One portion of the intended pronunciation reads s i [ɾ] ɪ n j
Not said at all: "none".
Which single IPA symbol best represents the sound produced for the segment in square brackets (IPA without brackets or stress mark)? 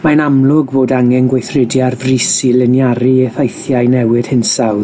l